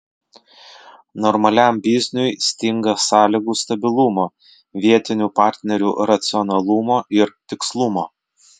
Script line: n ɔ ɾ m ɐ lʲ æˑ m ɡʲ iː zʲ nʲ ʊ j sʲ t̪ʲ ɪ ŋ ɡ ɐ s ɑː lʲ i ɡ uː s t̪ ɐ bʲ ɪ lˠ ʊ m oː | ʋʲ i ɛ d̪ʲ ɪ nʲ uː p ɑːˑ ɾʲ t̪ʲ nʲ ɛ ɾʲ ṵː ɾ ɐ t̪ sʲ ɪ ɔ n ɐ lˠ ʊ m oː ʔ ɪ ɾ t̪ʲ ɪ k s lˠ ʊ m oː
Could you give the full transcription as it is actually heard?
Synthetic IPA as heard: n ɔ ɾ m ɐ lʲ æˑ m bʲ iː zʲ nʲ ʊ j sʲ t̪ʲ ɪ ŋ ɡ ɐ s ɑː lʲ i ɡ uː s t̪ ɐ bʲ ɪ lˠ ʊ m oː | ʋʲ i ɛ t̪ʲ ɪ nʲ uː p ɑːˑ ɾʲ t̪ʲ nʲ ɛ ɾʲ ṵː ɾ ɐ t̪ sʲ ɪ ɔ n ɐ lˠ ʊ m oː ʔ ɪ ɾ t̪ʲ ɪ k s lˠ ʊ m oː